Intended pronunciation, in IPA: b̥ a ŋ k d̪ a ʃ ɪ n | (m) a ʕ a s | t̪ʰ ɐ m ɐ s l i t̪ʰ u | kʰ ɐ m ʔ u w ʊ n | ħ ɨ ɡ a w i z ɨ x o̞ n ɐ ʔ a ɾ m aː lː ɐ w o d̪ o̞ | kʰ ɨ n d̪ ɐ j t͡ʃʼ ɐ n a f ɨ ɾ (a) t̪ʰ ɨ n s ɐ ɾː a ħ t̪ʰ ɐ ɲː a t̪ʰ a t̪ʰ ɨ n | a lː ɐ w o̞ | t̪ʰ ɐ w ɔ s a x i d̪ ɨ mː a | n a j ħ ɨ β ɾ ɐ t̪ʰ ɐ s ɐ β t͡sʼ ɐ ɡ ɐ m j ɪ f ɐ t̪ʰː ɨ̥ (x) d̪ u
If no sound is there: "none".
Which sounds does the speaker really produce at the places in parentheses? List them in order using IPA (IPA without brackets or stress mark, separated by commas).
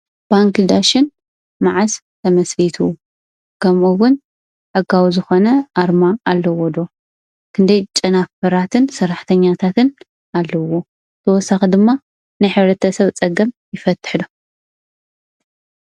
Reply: m, a, ħ